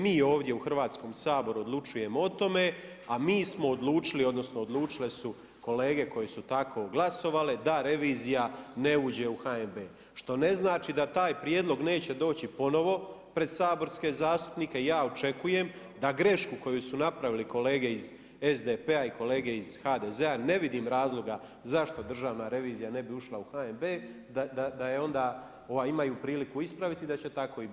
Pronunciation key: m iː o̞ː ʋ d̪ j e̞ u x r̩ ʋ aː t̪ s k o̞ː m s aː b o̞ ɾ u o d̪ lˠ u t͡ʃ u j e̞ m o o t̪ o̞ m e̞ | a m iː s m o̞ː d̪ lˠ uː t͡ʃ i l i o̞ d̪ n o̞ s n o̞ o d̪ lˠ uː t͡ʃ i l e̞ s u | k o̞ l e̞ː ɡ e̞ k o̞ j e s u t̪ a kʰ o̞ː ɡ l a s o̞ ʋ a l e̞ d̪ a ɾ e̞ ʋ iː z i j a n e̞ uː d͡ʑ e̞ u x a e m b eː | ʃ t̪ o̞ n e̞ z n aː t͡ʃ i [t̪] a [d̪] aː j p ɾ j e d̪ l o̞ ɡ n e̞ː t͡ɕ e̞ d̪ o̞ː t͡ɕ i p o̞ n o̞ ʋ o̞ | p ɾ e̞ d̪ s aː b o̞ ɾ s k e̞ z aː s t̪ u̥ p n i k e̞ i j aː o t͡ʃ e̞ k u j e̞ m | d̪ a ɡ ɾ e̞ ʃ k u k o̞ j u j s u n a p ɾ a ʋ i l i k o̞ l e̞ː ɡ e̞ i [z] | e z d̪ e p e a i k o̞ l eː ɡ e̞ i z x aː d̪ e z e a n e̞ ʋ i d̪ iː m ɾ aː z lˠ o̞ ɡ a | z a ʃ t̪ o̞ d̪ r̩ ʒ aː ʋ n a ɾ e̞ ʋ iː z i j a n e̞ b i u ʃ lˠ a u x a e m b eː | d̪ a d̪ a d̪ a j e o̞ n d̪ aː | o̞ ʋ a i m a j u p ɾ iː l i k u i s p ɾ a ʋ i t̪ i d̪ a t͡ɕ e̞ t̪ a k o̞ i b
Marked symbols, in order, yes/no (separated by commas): no, no, yes